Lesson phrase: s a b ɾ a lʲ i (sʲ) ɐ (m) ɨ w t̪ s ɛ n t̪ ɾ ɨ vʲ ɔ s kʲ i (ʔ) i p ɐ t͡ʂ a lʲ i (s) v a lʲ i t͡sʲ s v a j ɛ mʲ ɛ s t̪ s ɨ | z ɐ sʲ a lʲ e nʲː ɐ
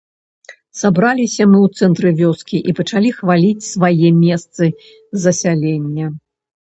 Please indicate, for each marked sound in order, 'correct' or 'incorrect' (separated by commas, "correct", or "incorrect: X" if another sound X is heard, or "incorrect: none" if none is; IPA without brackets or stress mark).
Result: correct, correct, correct, incorrect: x